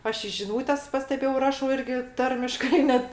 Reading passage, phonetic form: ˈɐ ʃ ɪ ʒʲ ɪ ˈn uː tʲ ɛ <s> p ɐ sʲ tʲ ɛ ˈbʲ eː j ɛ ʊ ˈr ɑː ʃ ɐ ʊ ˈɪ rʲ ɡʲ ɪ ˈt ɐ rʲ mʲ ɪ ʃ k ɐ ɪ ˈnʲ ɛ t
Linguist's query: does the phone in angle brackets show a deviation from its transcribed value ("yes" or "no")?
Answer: no